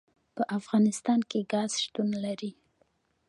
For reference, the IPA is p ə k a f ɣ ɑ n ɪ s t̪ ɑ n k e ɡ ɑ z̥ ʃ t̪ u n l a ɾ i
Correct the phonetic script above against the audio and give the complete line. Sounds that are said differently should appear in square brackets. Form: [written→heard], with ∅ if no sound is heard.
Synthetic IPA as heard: p ə [k→ʔ] a f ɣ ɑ n ɪ s t̪ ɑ n k e ɡ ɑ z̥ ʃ t̪ u n l a ɾ i